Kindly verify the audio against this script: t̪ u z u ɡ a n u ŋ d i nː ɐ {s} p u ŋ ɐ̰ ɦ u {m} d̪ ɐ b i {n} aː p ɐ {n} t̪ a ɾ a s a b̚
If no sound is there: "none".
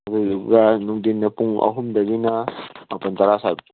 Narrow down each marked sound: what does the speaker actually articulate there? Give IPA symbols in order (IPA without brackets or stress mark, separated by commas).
none, m, n, n